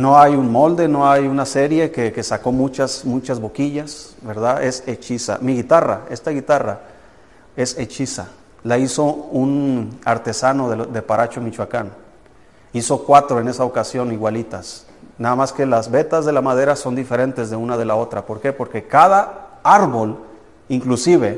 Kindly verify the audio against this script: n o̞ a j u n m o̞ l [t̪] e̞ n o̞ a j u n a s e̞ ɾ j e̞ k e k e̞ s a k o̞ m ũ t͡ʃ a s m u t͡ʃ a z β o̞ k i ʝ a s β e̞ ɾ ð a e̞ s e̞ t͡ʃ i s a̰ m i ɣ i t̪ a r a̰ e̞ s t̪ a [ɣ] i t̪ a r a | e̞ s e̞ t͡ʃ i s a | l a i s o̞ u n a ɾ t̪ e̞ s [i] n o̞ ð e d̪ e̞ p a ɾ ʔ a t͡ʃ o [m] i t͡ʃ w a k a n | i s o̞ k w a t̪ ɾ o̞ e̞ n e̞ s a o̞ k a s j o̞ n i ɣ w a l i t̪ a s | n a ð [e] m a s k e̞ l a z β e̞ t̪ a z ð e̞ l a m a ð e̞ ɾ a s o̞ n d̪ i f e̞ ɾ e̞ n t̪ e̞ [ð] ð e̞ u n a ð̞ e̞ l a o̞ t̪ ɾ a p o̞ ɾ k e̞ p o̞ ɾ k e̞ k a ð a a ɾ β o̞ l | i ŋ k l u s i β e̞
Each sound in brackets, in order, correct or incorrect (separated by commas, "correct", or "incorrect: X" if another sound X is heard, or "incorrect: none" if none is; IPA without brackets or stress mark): incorrect: d̪, correct, incorrect: a, correct, incorrect: a, incorrect: z